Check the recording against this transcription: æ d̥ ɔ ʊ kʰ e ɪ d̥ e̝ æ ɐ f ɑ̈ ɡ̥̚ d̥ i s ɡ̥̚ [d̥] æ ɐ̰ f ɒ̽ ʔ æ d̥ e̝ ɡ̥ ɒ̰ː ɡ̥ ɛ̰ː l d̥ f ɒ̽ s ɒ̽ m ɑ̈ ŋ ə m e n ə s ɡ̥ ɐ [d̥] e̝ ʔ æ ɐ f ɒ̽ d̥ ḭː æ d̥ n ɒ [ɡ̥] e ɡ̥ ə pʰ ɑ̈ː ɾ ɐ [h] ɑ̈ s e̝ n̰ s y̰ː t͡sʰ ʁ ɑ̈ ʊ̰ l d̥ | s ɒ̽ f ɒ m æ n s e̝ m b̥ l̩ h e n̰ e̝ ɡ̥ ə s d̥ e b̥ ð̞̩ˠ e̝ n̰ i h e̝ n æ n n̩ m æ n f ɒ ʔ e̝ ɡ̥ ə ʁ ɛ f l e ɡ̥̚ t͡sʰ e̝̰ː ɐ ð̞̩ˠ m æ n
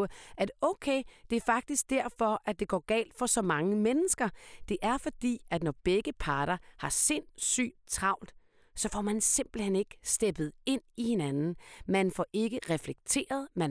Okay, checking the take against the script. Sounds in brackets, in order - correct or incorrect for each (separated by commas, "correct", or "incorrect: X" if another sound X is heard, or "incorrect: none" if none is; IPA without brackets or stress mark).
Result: correct, correct, incorrect: b̥, correct